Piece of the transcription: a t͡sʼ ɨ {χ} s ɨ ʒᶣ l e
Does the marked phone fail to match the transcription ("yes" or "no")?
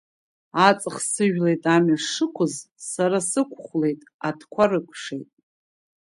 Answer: no